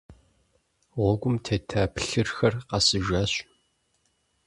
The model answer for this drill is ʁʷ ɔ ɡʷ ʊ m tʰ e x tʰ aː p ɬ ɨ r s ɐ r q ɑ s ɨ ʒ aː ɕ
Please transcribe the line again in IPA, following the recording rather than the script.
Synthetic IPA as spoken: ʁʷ ɔ ɡʷ ʊ m tʰ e tʰ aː p ɬ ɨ r x ɐ r q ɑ s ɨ ʒ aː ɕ